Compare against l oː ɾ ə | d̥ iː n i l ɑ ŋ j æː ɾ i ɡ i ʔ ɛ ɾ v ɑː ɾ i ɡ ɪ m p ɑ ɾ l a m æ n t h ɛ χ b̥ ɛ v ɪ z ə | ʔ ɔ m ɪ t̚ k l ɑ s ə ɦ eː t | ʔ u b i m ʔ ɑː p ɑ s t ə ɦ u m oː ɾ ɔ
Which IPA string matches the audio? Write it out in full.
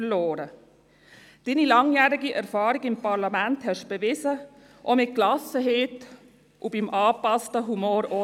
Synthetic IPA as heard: l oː ɾ ə | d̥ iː n i l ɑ ŋ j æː ɾ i ɡ i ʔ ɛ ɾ f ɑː ɾ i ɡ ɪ m p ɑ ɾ l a m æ n t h ɛ ʃ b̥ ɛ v ɪ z ə | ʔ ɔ m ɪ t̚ k l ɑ s ə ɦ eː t | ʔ u b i m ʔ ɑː p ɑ s t ə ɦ u m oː ɾ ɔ